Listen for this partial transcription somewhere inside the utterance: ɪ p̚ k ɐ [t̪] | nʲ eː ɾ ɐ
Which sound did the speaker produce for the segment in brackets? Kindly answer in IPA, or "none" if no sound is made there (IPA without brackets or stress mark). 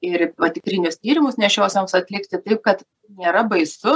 t̪